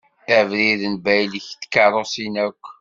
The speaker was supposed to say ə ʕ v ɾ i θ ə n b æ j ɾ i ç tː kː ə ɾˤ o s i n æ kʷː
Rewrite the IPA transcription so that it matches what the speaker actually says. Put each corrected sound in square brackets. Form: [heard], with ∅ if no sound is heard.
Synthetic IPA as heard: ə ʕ v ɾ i [ð] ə n b æ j [l] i ç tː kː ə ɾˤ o s i n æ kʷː